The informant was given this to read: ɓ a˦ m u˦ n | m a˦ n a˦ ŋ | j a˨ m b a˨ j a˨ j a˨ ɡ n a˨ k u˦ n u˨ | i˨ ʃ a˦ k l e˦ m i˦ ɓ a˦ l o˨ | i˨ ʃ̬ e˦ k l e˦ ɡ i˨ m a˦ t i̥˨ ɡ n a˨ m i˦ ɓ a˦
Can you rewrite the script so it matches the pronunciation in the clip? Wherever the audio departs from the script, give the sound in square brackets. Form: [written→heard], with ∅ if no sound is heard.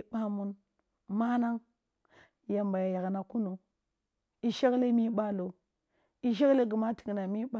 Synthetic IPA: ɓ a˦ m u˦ n | m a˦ n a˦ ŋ | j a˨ m b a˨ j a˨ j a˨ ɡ n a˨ k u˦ n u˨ | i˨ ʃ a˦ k l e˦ m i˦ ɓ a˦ l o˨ | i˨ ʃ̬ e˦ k l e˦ ɡ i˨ m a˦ t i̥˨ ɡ n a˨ m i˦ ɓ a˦